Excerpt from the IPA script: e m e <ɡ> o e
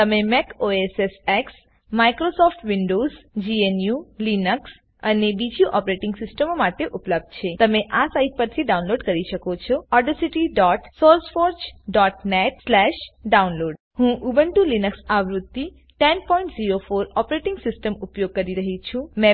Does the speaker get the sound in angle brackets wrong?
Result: yes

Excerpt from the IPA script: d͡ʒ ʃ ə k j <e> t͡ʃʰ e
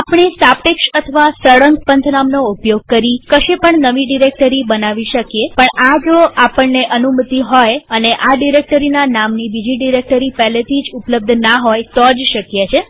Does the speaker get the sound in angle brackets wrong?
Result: no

